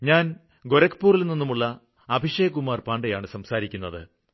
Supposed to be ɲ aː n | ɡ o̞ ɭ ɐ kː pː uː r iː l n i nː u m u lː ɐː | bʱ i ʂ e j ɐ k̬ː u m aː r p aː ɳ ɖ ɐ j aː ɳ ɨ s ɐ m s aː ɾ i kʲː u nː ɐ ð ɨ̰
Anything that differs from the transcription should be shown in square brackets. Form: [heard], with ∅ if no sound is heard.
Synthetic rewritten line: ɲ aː n | ɡ o̞ [ɾ] ɐ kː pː uː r [i] l n i nː u m u [ɭː] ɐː | bʱ i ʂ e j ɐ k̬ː u m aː r p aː ɳ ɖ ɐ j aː ɳ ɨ s ɐ m s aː ɾ i kʲː u nː ɐ ð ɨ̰